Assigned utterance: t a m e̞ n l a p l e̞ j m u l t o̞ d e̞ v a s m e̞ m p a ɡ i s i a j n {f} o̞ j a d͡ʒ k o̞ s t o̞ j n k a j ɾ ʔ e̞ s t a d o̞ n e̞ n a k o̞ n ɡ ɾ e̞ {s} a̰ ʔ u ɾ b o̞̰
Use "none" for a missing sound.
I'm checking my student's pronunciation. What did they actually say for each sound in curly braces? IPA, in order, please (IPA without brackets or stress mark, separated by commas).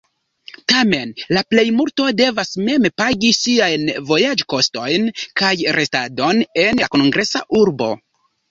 v, s